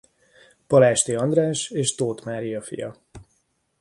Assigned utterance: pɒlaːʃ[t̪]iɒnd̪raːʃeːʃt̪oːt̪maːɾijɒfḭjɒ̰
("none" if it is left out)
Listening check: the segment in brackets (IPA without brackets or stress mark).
t̪